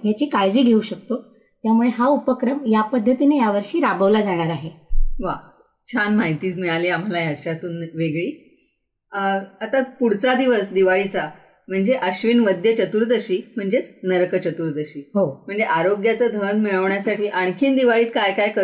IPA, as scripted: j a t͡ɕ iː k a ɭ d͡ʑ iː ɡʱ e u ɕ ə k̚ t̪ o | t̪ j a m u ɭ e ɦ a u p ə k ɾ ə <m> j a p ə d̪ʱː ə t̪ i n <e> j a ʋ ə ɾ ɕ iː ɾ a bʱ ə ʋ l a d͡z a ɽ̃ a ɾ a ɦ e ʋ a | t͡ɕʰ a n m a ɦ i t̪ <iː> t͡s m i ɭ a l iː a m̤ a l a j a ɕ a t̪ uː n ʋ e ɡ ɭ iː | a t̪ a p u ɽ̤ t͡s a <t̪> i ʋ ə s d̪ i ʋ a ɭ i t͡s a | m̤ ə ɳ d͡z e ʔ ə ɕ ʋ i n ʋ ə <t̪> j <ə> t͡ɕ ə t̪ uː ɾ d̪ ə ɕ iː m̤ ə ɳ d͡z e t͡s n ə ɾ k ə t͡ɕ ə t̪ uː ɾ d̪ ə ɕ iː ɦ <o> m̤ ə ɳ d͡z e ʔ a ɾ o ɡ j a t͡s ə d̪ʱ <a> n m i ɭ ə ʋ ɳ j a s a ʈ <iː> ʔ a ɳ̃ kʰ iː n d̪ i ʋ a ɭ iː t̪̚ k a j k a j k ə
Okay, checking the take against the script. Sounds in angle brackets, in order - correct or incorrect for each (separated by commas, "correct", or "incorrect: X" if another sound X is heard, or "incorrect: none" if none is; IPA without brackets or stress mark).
correct, correct, correct, incorrect: d̪, incorrect: d̪, correct, correct, incorrect: ə, correct